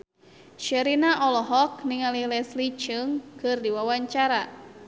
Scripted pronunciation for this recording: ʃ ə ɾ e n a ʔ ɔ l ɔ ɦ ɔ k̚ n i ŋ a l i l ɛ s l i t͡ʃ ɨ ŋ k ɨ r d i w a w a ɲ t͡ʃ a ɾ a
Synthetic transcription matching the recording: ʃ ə ɾ i n a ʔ ɔ l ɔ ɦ ɔ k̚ n i ŋ a l i l ɛ s l i t͡ʃ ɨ ŋ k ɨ r d i w a w a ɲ t͡ʃ a ɾ a